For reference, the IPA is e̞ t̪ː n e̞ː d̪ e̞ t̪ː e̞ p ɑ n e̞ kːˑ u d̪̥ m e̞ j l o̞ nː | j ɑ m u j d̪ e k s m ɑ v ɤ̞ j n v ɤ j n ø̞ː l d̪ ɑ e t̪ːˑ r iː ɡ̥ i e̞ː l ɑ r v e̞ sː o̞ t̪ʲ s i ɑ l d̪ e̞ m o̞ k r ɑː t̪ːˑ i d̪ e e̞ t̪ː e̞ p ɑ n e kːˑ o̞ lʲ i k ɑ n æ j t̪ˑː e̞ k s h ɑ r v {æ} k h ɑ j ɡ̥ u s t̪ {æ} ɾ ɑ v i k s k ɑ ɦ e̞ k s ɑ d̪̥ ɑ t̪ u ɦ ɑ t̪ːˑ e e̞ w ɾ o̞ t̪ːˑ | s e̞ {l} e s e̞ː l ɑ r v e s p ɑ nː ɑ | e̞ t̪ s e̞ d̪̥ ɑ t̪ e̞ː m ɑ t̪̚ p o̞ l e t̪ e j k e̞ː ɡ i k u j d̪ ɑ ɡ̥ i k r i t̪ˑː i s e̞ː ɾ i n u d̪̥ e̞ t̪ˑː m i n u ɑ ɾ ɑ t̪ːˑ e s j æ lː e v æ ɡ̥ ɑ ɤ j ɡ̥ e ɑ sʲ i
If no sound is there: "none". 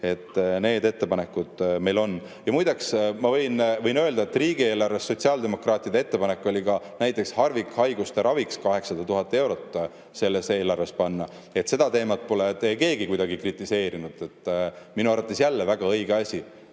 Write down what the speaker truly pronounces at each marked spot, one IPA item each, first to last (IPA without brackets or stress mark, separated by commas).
i, e, lː